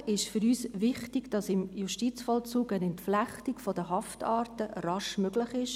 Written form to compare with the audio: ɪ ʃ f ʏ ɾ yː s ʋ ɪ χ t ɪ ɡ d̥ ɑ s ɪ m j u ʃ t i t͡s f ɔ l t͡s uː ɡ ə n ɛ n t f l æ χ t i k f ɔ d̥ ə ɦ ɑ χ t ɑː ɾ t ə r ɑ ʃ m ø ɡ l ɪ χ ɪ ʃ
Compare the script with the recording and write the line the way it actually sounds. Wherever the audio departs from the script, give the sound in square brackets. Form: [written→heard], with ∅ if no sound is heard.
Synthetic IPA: ɪ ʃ f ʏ ɾ yː s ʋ ɪ χ t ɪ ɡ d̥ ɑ s ɪ m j u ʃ t i t͡s f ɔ l t͡s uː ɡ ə n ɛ n t f l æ χ t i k f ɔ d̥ ə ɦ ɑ [χ→f] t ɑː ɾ t ə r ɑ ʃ m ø ɡ l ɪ χ ɪ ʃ